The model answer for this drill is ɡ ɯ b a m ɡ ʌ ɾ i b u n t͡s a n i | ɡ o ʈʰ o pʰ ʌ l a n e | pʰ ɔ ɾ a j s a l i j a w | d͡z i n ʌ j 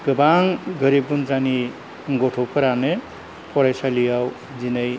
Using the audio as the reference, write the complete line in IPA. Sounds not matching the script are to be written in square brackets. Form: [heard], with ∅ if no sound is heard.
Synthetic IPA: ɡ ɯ b a [ŋ] ɡ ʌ ɾ i b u n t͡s a n i | ɡ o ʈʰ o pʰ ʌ [ɾ] a n e | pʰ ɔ ɾ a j s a l i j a w | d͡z i n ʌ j